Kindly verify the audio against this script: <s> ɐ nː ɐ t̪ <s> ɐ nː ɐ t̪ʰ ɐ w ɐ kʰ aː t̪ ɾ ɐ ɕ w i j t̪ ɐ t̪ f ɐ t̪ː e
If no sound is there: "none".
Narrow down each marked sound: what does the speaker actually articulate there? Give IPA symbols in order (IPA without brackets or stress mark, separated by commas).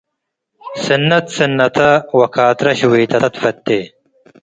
s, s